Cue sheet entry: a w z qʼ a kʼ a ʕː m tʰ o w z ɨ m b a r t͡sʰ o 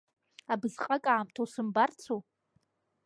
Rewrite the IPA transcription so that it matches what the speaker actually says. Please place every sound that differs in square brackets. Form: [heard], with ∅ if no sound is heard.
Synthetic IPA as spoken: a [b] z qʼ a kʼ a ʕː m tʰ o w [s] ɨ m b a r t͡sʰ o